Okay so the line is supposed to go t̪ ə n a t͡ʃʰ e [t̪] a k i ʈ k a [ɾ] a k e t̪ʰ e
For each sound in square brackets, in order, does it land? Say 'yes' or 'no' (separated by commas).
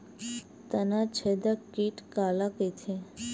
no, no